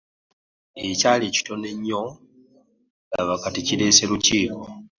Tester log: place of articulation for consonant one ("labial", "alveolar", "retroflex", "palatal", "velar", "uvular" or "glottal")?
palatal